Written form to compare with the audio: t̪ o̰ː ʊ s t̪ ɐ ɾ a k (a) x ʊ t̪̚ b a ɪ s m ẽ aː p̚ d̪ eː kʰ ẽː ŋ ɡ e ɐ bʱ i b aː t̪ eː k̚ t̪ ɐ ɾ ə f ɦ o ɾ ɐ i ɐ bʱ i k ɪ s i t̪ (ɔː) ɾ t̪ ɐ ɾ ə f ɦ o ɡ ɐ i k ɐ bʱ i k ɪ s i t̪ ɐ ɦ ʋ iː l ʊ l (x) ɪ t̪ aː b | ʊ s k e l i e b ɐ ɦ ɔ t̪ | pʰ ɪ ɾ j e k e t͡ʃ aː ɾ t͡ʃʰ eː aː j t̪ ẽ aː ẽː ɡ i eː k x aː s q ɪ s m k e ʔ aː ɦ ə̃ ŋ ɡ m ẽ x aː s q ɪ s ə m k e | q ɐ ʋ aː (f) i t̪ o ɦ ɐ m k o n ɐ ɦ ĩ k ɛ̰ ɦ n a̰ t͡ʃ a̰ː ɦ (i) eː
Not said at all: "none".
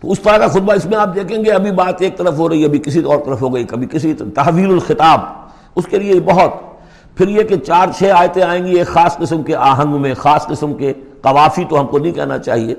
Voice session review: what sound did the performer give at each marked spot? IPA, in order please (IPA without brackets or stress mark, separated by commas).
a, ɔː, x, f, i